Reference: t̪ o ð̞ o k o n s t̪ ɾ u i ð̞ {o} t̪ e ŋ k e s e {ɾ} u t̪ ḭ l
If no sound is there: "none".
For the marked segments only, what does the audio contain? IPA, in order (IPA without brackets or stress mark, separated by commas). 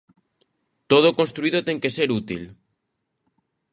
o, ɾ